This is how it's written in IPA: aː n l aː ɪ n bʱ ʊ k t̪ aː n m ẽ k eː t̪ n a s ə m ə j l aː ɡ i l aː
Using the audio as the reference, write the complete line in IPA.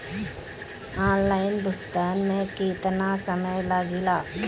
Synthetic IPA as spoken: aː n l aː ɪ n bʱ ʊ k t̪ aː n m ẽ k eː t̪ n a s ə m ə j l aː ɡ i l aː